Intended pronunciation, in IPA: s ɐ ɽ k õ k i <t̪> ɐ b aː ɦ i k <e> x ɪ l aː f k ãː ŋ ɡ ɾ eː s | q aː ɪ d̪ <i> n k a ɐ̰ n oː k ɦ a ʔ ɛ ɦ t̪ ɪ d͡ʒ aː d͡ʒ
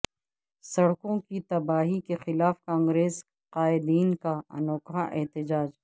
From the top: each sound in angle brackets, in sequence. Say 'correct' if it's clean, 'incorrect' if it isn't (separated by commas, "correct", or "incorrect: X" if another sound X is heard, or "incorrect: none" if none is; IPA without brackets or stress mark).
correct, correct, incorrect: iː